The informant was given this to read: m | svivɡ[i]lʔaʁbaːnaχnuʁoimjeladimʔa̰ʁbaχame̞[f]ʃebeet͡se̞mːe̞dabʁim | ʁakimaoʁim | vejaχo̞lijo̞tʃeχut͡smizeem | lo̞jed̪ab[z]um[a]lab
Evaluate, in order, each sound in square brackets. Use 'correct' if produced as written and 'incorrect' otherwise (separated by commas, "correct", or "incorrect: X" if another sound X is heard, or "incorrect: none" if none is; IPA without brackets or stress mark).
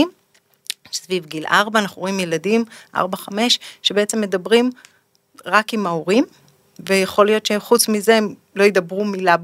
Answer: correct, incorrect: ʃ, incorrect: ʁ, incorrect: i